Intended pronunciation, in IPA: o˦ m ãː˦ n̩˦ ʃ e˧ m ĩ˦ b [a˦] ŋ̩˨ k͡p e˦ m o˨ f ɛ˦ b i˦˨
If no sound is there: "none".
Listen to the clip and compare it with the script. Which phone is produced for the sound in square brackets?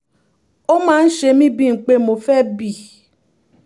i˦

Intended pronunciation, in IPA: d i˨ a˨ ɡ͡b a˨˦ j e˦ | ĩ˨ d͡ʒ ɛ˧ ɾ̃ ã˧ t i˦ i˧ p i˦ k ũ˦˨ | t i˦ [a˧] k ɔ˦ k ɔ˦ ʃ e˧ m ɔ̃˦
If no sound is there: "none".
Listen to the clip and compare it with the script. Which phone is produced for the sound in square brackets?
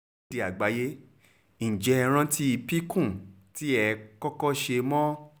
ɛ˧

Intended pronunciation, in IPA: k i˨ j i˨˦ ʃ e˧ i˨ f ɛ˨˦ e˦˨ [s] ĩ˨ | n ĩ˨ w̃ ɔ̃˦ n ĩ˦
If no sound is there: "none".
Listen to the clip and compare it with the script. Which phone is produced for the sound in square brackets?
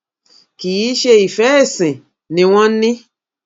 s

